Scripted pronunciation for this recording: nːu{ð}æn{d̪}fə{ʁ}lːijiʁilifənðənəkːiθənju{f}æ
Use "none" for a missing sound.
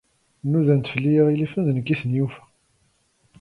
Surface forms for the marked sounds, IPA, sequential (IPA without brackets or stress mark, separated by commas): ð, t̪, none, f